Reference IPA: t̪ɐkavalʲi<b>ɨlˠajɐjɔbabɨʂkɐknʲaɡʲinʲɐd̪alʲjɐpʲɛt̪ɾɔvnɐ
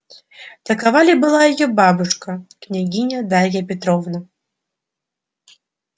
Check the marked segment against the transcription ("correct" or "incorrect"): correct